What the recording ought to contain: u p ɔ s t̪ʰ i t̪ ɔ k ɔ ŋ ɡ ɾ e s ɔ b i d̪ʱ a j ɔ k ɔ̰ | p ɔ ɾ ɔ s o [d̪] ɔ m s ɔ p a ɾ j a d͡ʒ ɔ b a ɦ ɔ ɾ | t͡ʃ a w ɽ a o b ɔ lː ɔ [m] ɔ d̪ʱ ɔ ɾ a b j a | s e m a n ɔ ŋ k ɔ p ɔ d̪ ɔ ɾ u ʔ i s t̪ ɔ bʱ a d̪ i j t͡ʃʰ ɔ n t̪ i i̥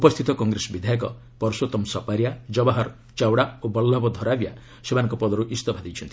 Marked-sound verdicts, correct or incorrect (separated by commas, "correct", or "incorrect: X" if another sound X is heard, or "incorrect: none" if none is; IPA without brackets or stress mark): incorrect: t̪, incorrect: b